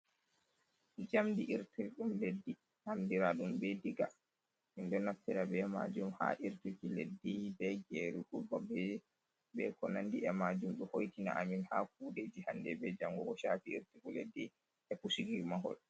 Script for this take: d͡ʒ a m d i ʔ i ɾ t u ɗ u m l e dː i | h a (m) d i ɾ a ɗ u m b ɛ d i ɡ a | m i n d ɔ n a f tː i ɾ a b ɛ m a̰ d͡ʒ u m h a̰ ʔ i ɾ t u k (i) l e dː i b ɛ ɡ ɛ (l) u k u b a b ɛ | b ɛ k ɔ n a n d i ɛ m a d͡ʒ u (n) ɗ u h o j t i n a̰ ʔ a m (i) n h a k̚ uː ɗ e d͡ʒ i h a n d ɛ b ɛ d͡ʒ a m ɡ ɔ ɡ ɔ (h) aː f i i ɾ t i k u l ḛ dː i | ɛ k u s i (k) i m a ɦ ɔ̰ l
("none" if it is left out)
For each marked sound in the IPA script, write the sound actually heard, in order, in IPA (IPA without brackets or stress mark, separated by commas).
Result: m, i, ɾ, m, i, ʃ, ɡ